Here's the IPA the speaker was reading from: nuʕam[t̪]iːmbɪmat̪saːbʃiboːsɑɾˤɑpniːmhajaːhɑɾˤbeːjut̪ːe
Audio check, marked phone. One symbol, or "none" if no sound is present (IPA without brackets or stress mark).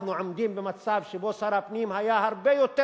d̪